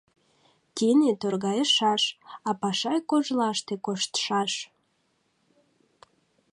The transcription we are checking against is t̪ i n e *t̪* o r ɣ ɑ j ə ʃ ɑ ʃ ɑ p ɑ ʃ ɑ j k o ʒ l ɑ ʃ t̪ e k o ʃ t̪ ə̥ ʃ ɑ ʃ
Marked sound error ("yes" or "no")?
no